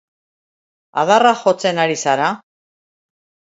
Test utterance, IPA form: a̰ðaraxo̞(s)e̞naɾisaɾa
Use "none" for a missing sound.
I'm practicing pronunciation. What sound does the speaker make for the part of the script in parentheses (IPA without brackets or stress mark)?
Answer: t͡s